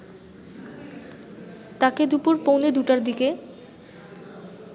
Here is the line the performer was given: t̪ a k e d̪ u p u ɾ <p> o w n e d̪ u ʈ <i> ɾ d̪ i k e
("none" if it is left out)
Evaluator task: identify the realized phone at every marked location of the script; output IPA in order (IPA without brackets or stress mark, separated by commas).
p, a